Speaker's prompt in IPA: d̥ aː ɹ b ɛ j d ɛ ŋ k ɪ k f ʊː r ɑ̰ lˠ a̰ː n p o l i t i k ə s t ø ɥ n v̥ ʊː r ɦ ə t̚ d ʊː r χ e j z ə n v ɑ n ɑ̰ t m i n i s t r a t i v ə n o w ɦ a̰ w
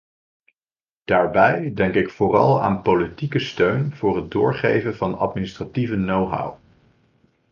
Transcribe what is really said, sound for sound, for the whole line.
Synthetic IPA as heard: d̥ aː ɹ b ɛ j d ɛ ŋ k ɪ k f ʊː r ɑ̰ lˠ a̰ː n p o l i t i k ə s t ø ɥ n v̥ ʊː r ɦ ə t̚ d ʊː ɹ χ e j v ə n v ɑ n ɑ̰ t m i n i s t r a t i v ə n o w ɦ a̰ w